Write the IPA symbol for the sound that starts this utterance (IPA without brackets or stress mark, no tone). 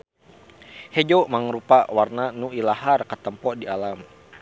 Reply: h